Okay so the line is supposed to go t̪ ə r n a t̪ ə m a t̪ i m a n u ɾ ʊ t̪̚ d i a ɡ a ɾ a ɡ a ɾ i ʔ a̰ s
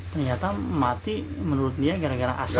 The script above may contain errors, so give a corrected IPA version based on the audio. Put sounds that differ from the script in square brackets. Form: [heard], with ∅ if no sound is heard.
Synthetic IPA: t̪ ə r [ɲ] a t̪ [a] m a t̪ i m [ə] n u ɾ ʊ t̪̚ d i a ɡ a ɾ a ɡ a ɾ [a] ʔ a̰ s